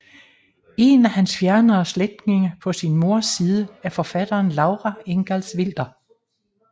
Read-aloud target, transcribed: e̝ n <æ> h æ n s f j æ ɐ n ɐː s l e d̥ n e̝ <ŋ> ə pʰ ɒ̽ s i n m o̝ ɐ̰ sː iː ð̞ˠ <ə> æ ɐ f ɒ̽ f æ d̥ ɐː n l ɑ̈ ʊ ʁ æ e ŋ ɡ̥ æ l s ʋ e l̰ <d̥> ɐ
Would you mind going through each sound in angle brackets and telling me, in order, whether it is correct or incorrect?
correct, correct, correct, correct

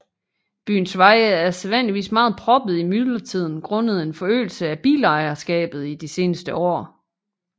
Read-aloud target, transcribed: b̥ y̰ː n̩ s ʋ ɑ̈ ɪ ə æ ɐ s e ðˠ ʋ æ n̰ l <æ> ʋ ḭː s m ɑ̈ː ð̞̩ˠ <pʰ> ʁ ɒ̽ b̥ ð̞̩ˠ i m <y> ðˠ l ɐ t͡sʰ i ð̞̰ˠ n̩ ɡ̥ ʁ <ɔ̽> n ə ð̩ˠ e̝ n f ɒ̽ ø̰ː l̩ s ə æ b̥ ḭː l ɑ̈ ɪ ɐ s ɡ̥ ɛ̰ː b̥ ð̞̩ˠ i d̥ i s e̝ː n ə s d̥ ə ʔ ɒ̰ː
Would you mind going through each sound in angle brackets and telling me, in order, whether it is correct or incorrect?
incorrect, correct, correct, correct

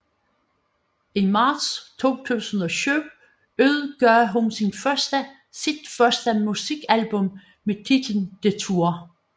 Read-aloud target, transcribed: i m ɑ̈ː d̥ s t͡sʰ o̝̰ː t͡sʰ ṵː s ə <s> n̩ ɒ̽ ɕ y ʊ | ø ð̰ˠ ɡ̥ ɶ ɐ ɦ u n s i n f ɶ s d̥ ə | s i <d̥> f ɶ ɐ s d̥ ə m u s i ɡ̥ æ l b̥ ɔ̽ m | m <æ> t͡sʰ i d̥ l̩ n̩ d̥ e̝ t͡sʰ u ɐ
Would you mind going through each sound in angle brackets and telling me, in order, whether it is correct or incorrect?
incorrect, correct, incorrect

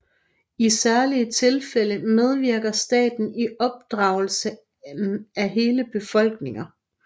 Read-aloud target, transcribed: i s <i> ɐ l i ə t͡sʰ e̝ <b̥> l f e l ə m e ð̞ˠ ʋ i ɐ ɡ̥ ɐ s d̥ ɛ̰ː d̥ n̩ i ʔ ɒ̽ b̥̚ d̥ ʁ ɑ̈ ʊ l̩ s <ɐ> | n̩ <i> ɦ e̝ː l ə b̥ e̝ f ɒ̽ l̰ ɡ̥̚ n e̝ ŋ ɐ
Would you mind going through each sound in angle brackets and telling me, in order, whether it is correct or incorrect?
incorrect, incorrect, incorrect, incorrect

